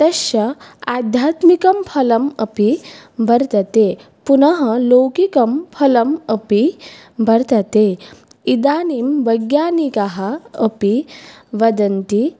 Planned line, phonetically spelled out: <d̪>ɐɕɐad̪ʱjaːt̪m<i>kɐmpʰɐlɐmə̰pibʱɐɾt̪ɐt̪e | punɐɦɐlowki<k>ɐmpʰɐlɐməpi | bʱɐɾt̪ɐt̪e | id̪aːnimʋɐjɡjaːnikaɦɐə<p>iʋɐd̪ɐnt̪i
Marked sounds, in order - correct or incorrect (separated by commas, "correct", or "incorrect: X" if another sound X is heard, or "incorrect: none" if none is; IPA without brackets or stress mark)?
incorrect: t̪, correct, correct, correct